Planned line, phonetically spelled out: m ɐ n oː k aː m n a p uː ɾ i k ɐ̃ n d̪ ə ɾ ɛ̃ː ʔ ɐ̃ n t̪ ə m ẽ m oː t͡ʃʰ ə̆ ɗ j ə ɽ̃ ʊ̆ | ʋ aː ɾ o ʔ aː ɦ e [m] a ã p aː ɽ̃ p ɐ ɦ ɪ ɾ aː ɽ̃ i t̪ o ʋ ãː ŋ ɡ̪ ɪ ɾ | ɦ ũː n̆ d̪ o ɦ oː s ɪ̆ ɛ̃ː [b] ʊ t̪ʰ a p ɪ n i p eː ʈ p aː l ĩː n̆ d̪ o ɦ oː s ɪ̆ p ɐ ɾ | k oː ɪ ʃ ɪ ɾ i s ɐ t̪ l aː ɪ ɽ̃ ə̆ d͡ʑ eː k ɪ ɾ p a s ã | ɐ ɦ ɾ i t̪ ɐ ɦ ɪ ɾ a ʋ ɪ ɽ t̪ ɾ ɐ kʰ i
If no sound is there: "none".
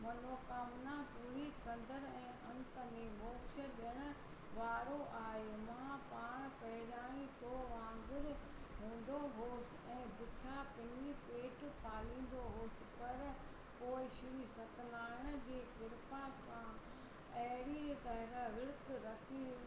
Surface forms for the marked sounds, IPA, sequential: m, b

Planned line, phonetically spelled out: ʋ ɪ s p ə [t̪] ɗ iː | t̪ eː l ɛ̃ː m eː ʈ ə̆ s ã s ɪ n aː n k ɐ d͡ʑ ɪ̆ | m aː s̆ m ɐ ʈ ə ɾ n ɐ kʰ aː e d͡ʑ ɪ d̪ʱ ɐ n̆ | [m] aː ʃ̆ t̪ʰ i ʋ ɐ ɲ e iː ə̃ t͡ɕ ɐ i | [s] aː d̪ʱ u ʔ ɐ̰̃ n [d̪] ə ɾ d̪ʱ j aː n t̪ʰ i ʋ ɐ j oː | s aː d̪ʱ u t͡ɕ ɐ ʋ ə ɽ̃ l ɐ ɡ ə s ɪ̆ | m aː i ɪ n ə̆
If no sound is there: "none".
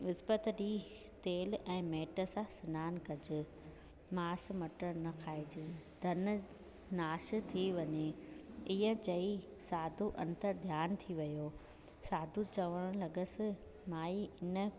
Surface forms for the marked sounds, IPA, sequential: t̪, n, s, t̪

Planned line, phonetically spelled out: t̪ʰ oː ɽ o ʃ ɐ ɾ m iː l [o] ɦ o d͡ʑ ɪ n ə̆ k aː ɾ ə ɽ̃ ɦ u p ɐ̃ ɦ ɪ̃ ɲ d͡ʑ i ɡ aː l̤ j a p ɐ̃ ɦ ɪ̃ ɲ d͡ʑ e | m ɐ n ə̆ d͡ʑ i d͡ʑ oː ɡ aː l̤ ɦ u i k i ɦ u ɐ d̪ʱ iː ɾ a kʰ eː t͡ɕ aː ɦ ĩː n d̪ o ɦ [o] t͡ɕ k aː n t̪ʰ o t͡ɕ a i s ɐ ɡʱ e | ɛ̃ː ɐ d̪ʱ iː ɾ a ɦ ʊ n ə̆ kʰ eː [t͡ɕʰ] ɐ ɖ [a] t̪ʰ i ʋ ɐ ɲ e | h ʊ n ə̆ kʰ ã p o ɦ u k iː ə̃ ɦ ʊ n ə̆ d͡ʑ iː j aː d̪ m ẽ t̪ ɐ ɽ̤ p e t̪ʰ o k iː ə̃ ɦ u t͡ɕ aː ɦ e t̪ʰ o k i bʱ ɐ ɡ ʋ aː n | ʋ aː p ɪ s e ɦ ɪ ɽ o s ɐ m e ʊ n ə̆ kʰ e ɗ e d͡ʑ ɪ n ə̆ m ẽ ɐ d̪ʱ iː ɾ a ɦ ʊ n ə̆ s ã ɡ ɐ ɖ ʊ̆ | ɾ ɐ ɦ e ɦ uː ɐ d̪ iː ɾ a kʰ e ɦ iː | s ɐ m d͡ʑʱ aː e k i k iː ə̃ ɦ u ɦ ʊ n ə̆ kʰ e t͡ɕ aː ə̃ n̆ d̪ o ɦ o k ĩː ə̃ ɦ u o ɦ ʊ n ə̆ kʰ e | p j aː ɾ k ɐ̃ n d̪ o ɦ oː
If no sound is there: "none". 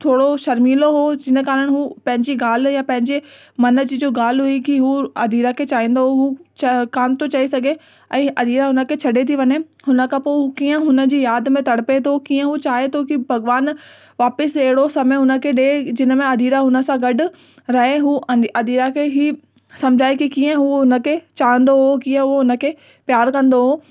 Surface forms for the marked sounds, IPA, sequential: o, u, t͡ɕʰ, e

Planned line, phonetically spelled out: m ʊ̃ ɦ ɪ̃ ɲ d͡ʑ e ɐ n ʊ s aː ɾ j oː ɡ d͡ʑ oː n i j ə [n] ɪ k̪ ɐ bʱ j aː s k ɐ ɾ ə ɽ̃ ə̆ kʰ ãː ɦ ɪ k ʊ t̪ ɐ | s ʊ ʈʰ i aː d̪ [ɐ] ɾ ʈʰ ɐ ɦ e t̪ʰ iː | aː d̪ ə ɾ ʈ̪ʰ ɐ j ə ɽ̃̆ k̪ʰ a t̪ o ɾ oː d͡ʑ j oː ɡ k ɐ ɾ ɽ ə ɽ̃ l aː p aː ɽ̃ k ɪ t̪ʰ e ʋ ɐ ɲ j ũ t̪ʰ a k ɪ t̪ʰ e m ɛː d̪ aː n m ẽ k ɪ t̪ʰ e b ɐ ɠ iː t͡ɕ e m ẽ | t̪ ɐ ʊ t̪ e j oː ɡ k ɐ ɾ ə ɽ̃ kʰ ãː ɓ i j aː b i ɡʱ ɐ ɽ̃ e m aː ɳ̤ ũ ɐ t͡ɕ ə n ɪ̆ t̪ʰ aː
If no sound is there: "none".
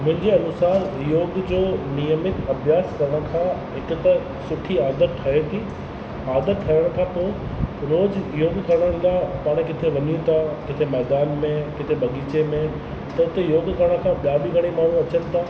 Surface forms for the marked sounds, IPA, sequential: m, ə

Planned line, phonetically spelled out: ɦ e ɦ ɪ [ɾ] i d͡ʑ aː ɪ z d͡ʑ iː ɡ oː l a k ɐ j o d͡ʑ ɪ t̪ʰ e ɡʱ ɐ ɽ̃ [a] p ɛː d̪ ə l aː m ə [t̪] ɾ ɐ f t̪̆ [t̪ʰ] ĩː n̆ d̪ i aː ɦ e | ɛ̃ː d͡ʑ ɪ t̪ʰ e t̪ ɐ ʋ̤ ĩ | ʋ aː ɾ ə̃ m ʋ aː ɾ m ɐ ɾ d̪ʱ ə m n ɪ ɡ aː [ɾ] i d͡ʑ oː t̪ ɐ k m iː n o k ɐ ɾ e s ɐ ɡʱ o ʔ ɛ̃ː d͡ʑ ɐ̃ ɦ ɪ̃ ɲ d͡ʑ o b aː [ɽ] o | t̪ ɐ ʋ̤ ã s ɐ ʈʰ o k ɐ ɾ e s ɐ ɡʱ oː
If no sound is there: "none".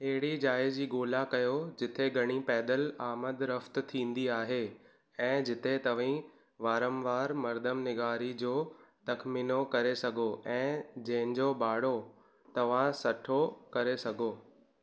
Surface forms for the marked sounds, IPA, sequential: ɽ, i, d̪, t̪ʰ, ɾ, ɽ

